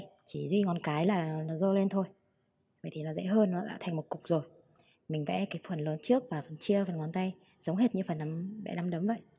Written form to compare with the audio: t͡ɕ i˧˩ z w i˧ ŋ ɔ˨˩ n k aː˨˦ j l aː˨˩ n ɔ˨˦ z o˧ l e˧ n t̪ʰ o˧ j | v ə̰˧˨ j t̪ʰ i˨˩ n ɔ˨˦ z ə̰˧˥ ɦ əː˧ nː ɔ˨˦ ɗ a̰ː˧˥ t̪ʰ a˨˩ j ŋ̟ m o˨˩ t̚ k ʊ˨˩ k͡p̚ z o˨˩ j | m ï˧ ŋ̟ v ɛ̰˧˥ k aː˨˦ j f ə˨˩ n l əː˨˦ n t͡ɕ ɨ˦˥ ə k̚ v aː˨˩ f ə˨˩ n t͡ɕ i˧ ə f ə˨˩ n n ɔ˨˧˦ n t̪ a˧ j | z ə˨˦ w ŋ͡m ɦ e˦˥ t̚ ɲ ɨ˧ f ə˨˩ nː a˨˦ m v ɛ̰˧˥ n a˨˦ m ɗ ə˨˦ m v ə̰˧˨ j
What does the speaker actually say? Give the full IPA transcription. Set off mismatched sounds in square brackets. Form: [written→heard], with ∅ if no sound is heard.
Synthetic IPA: t͡ɕ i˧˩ z w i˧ ŋ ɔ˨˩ n k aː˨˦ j l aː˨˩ n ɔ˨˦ z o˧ l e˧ n t̪ʰ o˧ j | v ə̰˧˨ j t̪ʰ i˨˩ n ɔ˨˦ z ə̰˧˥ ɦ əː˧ nː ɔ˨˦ ɗ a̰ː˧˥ t̪ʰ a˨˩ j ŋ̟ m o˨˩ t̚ k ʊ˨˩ k͡p̚ z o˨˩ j | m [ï˧→ï˨˩] ŋ̟ v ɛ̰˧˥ k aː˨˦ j f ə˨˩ n l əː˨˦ n t͡ɕ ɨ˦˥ ə k̚ v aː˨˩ f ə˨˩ n t͡ɕ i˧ ə f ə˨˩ n [n→ŋ] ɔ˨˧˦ n t̪ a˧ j | z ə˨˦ w ŋ͡m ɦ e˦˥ t̚ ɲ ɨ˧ f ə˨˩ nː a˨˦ m v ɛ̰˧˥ n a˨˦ m ɗ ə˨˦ m v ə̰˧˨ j